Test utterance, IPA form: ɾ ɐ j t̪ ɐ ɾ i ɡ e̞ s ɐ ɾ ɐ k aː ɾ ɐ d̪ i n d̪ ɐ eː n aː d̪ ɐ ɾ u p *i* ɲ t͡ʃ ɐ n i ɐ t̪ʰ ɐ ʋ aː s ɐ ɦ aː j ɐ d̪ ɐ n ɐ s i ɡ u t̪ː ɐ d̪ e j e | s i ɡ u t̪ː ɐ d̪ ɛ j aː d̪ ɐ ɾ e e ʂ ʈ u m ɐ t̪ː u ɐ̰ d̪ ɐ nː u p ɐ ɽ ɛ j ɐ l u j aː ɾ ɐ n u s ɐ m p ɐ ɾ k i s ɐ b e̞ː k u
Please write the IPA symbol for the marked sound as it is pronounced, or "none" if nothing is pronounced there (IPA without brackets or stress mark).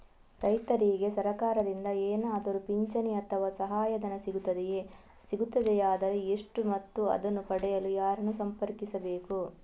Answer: i